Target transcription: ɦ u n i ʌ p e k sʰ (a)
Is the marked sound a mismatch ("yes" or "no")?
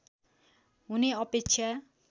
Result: no